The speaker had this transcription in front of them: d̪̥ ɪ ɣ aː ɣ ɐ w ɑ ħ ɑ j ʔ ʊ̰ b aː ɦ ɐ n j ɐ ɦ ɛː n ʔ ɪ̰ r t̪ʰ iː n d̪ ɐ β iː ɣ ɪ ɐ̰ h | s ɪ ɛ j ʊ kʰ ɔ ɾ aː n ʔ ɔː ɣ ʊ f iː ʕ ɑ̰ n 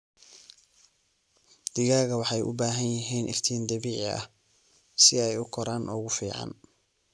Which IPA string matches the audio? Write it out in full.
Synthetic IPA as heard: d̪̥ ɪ ɣ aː ɣ ɐ w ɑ ħ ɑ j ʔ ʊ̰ b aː ɦ ɐ n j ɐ ɦ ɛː n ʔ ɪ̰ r t̪ʰ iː n d̪ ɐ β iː ʕ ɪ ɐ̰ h | s ɪ ɛ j ʊ kʰ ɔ ɾ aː n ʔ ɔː ɣ ʊ f iː ʕ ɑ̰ n

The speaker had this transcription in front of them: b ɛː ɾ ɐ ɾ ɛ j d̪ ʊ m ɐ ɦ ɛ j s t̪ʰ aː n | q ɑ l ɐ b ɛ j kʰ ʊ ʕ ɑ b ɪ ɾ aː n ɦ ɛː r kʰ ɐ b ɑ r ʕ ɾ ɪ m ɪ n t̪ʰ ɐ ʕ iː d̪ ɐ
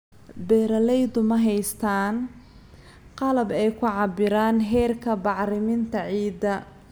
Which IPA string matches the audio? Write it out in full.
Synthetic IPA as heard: b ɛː ɾ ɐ l ɛ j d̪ ʊ m ɐ ɦ ɛ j s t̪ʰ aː n | q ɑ l ɐ b ɛ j kʰ ʊ ʕ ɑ b ɪ ɾ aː n ɦ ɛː r kʰ ɐ b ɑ ʕ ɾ ɪ m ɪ n t̪ʰ ɐ ʕ iː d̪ ɐ

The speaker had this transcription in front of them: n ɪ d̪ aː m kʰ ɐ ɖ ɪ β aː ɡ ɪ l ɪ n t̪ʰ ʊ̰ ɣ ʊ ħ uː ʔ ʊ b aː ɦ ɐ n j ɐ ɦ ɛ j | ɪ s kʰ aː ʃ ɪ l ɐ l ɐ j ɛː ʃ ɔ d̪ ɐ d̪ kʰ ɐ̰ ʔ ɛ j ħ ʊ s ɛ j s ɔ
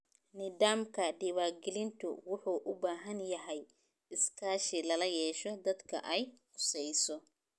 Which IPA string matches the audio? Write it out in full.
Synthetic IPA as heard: n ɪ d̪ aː m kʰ ɐ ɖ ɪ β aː ɡ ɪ l ɪ n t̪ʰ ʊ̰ w ʊ ħ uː ʔ ʊ b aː ɦ ɐ n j ɐ ɦ ɛ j | ɪ s kʰ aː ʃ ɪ l ɐ l ɐ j ɛː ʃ ɔ d̪ ɐ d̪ kʰ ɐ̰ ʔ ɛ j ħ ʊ s ɛ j s ɔ

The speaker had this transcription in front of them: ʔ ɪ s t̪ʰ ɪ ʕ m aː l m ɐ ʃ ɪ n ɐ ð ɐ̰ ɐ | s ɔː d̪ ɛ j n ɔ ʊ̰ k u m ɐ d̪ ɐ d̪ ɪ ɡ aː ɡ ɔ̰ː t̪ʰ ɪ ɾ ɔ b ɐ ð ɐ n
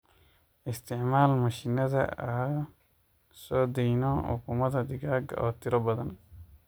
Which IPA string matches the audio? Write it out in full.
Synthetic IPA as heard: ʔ ɪ s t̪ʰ ɪ ʕ m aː l m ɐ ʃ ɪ n ɐ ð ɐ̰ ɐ | s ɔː d̪ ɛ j n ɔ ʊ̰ k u m ɐ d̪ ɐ d̪ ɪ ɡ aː ɡ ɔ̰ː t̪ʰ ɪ ɾ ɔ b ɐ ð ɐ n

